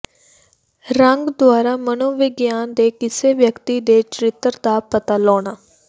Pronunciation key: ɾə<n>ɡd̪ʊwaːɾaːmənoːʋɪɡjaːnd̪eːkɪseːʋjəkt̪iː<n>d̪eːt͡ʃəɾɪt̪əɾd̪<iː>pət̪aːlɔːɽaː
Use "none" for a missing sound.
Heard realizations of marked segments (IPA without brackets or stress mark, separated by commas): ŋ, none, aː